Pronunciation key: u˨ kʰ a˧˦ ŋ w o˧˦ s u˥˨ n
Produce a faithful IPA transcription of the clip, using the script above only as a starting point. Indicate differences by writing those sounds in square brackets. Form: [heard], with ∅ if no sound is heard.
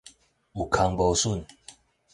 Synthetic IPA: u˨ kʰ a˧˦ ŋ [b] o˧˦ s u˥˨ n